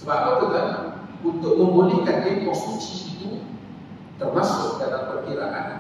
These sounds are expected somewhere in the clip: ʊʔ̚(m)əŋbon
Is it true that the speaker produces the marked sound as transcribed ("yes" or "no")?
yes